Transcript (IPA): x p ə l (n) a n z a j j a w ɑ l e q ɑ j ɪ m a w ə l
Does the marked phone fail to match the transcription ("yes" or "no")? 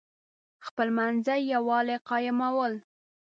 yes